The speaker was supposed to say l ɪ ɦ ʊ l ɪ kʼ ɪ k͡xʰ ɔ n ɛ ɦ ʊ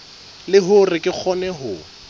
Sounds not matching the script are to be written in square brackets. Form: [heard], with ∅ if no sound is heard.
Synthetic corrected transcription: l ɪ ɦ ʊ [r] ɪ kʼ ɪ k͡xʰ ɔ n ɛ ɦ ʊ